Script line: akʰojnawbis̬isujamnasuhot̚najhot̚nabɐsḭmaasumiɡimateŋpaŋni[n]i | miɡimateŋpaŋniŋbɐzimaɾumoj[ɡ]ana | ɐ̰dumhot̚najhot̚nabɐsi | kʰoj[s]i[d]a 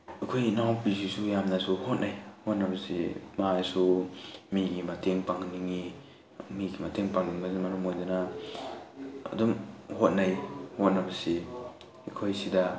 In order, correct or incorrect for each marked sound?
incorrect: ŋ, incorrect: d, correct, correct

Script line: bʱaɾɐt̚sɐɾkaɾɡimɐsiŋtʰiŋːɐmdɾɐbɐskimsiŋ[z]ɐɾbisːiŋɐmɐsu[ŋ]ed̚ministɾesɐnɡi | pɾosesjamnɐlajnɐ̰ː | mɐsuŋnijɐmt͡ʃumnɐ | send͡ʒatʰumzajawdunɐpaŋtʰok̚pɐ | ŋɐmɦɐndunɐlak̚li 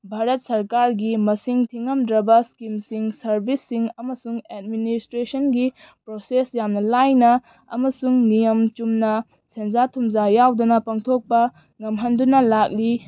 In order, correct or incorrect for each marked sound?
incorrect: s, correct

